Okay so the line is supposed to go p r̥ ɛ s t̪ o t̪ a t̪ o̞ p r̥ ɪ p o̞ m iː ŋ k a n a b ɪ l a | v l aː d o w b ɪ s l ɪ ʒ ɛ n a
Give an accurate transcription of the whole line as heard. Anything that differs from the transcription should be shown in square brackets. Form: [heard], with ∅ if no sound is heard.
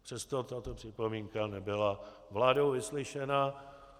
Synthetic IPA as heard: p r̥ ɛ s t̪ o t̪ a t̪ o̞ p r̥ ɪ p o̞ m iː ŋ k a n [ɛ] b ɪ l a | v l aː d o w [v] ɪ s l ɪ [ʃ] ɛ n a